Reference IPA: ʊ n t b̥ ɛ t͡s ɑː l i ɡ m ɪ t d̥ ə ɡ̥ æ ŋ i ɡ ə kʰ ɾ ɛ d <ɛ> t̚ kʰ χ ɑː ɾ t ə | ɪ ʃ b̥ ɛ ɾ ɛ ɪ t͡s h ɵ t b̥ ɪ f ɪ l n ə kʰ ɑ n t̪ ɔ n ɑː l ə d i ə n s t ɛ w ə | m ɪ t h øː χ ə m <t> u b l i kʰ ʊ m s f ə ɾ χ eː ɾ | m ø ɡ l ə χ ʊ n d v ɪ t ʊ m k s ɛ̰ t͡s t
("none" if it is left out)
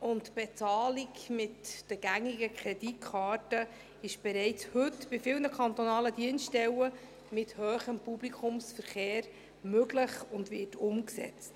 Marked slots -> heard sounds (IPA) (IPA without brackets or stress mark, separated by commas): i, p